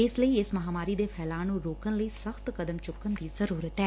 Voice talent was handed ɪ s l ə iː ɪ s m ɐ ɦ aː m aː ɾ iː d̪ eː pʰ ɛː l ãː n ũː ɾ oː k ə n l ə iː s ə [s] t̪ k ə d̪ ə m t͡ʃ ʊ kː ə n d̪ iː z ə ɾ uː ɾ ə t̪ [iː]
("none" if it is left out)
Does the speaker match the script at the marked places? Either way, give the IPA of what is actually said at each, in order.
x, ɛː

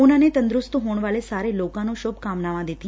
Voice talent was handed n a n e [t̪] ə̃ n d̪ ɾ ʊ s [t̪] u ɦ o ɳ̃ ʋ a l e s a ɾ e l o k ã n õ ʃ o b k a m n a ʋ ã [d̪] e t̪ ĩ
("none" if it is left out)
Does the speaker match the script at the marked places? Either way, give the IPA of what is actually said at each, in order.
t̪, t̪, d̪

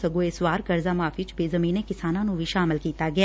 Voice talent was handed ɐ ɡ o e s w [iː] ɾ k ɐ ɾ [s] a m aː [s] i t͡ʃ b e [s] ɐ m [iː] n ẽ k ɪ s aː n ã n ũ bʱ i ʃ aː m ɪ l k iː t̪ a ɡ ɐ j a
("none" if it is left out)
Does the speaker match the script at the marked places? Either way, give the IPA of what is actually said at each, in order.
aː, z, f, z, iː

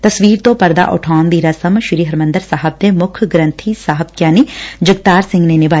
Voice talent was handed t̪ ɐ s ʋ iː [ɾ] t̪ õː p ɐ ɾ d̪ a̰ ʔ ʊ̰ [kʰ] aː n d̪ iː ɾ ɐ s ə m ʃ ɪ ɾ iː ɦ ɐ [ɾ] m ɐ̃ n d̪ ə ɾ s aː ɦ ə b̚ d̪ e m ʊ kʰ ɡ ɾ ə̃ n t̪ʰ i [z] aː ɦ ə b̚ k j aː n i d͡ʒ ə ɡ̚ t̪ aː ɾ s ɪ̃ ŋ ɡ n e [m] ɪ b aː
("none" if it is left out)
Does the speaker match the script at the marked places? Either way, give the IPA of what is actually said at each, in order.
ɾ, ʈʰ, ɾ, s, n

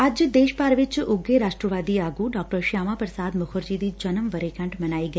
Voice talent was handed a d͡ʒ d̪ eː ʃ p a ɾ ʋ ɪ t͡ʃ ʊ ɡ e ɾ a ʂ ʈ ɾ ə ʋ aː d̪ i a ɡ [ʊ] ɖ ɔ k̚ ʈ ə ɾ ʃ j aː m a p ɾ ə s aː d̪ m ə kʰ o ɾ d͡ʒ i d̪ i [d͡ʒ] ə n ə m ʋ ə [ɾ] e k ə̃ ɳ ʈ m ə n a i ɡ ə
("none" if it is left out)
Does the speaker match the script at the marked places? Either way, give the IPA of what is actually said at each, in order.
u, d͡ʒ, ɾ

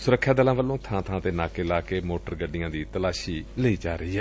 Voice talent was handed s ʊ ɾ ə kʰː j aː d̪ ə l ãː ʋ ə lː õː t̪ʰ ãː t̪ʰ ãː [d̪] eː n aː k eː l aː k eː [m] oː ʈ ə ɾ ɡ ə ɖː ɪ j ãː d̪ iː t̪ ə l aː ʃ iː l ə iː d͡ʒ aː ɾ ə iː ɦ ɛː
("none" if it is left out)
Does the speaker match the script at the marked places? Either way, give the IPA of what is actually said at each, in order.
t̪, m

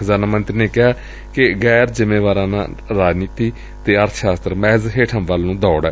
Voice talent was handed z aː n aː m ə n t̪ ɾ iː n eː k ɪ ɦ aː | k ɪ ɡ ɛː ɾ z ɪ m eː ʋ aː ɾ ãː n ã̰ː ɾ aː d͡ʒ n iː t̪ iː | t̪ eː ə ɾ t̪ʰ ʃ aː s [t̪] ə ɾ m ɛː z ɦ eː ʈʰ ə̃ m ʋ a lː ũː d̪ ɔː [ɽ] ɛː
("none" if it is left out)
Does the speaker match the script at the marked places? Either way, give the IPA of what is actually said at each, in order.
t̪, ɽ

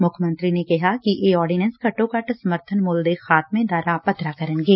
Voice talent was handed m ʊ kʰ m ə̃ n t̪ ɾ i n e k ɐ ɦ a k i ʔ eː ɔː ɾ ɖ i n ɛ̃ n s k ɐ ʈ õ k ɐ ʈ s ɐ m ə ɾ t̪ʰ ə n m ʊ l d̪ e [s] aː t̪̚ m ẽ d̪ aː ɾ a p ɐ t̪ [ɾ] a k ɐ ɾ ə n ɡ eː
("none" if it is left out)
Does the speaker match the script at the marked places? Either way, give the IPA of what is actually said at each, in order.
x, ɾ

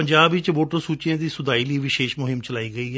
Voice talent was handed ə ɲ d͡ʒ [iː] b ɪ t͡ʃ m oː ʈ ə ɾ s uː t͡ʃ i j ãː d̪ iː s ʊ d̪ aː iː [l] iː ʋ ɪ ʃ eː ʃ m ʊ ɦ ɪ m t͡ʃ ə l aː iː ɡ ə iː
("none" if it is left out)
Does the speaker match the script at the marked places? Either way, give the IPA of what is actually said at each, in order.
aː, l

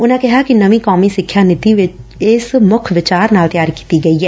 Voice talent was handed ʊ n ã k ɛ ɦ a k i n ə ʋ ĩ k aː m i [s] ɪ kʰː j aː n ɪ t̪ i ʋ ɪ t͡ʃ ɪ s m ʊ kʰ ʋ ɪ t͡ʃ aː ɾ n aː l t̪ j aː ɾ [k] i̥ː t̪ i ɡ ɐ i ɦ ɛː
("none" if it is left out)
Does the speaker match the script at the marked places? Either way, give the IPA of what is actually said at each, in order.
s, k

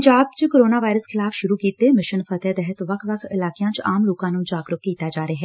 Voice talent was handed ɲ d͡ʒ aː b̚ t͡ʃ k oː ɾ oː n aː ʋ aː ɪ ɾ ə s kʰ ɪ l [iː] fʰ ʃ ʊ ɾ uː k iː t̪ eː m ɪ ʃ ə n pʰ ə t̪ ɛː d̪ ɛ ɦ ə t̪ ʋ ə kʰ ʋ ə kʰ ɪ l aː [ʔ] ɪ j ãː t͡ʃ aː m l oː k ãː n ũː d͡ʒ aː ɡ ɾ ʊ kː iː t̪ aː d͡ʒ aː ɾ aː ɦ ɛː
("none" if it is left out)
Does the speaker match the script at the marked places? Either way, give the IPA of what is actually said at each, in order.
aː, k

